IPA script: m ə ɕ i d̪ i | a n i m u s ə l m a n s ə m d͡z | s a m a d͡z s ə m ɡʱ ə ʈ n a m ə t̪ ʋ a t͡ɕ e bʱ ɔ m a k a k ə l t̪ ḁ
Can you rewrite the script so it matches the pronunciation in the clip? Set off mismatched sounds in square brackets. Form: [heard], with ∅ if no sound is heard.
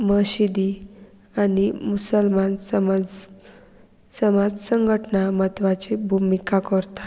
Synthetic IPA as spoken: m ə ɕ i d̪ i | a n i m u s ə l m a n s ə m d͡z | s [ə] m a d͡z s ə [ŋ] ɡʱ ə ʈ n a m ə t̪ ʋ a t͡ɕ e bʱ [u] m [i] k a k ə [ɾ] t̪ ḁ